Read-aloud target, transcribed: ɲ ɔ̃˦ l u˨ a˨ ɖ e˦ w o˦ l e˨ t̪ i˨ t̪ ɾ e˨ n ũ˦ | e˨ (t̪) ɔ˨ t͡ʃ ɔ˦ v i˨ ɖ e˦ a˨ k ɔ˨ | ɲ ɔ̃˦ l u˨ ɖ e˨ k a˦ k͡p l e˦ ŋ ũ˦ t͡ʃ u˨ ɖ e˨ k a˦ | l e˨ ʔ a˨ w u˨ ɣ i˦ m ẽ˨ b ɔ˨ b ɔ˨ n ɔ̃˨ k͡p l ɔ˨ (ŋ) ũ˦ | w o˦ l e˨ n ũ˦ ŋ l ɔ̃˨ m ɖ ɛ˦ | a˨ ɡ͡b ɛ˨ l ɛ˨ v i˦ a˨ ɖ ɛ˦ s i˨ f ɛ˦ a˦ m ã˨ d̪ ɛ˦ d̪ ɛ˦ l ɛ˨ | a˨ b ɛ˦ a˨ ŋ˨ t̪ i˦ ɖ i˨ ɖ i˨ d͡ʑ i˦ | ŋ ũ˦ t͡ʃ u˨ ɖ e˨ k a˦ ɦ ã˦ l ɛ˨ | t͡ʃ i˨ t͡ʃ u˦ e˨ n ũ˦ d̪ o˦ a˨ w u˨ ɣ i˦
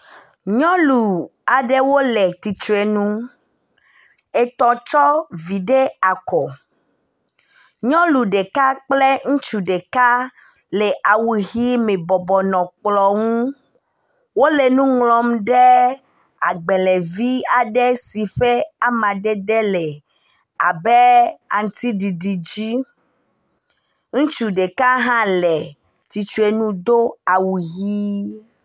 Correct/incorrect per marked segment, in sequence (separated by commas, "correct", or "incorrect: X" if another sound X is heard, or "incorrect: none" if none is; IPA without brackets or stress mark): correct, correct